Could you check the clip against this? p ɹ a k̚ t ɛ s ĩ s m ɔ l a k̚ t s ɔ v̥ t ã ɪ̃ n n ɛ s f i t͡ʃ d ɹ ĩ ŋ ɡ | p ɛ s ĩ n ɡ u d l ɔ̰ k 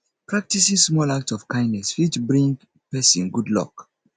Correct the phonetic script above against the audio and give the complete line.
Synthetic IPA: p ɹ a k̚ t i s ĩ s m ɔ l a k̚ t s ɔ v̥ k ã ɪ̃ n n ɛ s f i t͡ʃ b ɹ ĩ ŋ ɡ | p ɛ s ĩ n ɡ u d l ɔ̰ k